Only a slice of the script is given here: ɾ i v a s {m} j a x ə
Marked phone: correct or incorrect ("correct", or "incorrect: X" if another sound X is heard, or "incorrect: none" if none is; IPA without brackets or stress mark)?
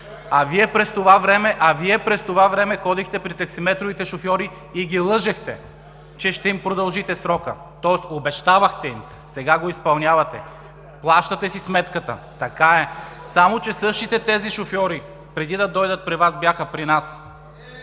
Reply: incorrect: b